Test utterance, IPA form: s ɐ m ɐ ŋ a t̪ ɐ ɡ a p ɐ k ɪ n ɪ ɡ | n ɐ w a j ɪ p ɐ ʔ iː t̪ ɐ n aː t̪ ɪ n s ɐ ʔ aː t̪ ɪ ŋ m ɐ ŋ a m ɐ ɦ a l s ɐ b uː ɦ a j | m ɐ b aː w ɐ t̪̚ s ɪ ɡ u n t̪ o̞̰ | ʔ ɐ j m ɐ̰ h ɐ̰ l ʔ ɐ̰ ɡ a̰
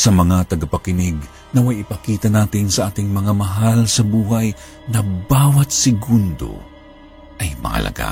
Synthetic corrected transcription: s ɐ m ɐ ŋ a t̪ ɐ ɡ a p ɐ k ɪ n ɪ ɡ | n ɐ w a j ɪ p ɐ k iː t̪ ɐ n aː t̪ ɪ n s ɐ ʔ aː t̪ ɪ ŋ m ɐ ŋ a m ɐ ɦ a l s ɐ b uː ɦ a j | n ɐ b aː w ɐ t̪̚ s ɪ ɡ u n d̪ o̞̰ | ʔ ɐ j m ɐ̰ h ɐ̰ l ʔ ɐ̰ ɡ a̰